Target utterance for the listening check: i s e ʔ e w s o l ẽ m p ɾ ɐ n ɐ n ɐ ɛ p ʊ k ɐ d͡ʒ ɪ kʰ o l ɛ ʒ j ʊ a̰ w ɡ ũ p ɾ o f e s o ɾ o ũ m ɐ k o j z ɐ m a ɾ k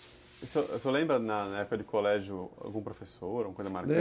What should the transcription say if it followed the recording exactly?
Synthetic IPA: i s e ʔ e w s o l ẽ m b ɾ ɐ n ɐ n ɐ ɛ p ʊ k ɐ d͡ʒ ɪ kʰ o l ɛ ʒ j ʊ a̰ w ɡ ũ p ɾ o f e s o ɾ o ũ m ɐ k o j z ɐ m a ɾ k